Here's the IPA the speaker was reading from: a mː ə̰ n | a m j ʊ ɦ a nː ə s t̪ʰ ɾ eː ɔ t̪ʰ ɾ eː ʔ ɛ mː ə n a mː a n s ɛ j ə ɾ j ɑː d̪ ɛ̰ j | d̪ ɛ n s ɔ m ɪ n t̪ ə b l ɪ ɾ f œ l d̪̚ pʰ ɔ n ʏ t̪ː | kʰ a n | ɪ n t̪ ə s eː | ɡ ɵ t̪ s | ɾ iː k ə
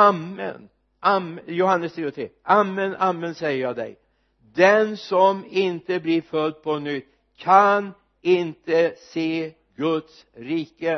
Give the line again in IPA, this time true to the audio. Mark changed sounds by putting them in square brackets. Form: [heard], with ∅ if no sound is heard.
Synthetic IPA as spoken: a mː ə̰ n | a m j ʊ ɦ a nː ə s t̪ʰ ɾ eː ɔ t̪ʰ ɾ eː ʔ [a] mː ə n a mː [ə] n s ɛ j ə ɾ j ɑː d̪ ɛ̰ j | d̪ ɛ n s ɔ m ɪ n t̪ ə b l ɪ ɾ f œ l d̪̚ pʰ ɔ n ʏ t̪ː | kʰ a n | ɪ n t̪ ə s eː | ɡ ɵ t̪ s | ɾ iː k ə